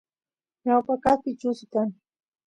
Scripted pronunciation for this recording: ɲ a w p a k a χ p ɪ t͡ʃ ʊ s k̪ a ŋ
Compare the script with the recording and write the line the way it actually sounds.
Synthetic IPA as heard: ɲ a w p a k a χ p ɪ t͡ʃ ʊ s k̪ a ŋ